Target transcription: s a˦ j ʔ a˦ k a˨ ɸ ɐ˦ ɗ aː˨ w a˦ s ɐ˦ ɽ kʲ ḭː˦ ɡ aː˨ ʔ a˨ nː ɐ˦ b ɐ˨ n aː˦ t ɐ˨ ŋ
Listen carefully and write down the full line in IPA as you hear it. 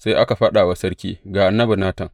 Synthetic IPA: s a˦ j ʔ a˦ k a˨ ɸ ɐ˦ ɗ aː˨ w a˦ s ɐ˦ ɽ kʲ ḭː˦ ɡ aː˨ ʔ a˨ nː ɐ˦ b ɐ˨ n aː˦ t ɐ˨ ŋ